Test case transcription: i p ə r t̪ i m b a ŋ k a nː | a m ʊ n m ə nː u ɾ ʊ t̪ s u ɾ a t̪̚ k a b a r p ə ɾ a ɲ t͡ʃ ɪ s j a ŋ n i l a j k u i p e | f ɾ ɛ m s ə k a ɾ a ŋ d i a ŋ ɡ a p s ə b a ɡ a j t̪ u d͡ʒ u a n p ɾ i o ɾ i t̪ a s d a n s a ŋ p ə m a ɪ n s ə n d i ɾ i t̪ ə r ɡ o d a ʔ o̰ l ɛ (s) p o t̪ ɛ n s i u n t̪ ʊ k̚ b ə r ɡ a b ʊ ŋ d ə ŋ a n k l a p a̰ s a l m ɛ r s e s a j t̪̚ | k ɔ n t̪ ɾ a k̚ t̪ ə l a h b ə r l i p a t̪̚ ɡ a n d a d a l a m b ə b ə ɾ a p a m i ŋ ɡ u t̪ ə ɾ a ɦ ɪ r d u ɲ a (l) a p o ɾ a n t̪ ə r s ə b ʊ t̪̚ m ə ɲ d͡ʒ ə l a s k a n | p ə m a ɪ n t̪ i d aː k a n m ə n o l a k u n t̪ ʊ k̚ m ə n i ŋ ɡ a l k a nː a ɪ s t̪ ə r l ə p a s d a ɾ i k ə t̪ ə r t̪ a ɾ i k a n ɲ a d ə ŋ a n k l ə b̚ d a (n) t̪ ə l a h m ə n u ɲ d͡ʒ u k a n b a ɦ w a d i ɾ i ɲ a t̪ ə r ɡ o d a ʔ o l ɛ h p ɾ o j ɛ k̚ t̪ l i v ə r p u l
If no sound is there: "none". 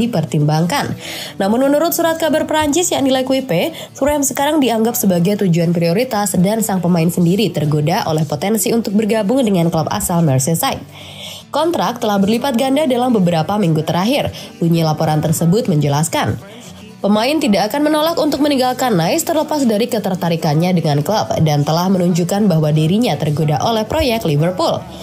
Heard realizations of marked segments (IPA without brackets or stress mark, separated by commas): h, l, n